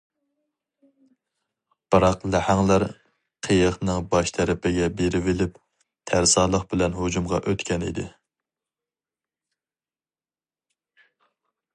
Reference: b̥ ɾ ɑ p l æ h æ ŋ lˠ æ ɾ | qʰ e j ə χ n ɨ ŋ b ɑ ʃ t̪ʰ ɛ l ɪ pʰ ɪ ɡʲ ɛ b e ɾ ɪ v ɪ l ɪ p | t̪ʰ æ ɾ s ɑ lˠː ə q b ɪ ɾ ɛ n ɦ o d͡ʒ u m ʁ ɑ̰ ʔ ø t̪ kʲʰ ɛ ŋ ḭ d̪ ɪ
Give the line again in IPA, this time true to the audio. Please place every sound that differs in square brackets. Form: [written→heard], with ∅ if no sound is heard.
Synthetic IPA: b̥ ɾ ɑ [p→q] l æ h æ ŋ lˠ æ ɾ | qʰ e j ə χ n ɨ ŋ b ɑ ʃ t̪ʰ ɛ [l→ɾ] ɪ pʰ ɪ ɡʲ ɛ b e ɾ ɪ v ɪ l ɪ p | t̪ʰ æ ɾ s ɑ [lˠː→lˠ] ə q b ɪ [ɾ→l] ɛ n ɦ o d͡ʒ u m ʁ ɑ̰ ʔ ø t̪ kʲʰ ɛ [ŋ→n] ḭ d̪ ɪ